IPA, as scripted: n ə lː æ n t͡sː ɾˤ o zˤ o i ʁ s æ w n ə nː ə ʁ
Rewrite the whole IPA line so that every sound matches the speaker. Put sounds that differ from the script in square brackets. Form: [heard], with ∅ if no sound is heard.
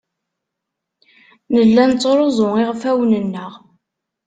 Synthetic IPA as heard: n ə lː æ n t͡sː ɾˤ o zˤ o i ʁ [f] æ w n ə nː ə ʁ